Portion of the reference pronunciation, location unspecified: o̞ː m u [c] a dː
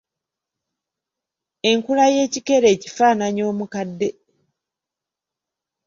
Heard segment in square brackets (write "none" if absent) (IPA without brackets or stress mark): k